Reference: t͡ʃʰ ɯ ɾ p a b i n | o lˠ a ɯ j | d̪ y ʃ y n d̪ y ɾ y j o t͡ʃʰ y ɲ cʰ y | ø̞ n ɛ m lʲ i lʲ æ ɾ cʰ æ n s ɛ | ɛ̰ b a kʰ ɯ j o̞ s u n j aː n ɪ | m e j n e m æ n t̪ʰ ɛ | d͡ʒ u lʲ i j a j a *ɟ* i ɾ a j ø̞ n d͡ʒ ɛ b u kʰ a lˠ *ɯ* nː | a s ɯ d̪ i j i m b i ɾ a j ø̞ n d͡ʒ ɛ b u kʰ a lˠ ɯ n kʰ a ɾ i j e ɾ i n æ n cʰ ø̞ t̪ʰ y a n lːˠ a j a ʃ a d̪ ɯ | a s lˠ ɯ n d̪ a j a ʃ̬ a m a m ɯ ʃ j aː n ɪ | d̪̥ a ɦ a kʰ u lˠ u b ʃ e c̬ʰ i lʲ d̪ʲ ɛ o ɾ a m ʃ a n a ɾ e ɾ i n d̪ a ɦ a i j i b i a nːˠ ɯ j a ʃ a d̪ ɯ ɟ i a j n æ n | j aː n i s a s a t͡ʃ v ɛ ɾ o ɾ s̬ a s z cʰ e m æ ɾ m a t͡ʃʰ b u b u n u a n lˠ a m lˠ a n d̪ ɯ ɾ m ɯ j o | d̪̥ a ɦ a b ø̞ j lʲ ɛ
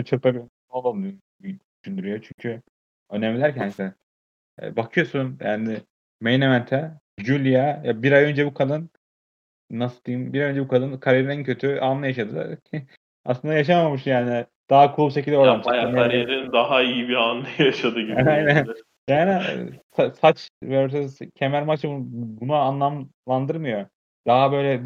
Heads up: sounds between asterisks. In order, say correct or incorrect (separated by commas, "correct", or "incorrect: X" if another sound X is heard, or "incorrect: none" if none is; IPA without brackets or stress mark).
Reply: incorrect: b, correct